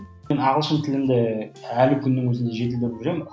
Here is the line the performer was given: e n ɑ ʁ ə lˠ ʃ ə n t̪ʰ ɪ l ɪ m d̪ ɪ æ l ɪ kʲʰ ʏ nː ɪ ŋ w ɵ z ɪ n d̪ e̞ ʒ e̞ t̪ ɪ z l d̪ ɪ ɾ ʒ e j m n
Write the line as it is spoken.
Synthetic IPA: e n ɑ ʁ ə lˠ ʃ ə n t̪ʰ ɪ l ɪ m d̪ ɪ æ l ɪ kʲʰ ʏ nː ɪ ŋ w ɵ z ɪ n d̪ e̞ ʒ e̞ t̪ ɪ l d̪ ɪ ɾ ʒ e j m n